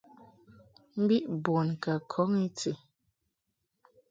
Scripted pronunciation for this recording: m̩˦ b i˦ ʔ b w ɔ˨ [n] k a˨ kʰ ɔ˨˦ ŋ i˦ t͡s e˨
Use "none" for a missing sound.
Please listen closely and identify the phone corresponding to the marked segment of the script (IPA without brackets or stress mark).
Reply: n